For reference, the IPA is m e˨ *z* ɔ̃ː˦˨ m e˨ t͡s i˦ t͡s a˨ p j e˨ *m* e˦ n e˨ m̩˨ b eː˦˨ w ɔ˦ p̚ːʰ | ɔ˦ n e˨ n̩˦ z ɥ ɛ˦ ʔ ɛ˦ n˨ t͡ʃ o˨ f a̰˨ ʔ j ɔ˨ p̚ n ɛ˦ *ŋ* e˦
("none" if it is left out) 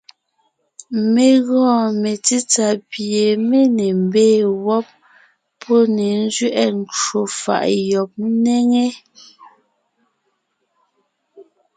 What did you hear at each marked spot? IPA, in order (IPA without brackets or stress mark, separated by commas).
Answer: ɣ, m, ŋ